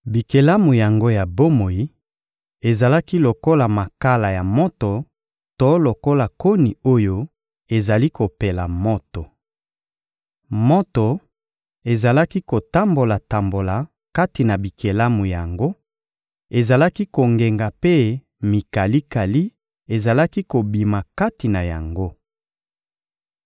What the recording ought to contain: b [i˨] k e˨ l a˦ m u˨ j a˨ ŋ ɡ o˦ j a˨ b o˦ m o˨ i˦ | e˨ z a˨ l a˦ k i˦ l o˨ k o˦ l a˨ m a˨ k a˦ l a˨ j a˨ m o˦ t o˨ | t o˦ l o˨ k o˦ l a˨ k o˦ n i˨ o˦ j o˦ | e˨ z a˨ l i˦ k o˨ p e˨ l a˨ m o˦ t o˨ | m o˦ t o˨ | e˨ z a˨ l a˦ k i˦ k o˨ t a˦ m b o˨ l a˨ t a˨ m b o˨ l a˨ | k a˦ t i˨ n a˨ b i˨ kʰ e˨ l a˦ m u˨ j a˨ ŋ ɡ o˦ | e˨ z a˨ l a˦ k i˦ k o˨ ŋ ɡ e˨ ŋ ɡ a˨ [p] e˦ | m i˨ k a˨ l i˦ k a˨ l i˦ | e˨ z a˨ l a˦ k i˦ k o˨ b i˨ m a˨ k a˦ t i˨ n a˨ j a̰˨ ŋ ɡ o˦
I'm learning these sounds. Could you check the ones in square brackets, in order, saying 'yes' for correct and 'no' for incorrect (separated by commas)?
yes, yes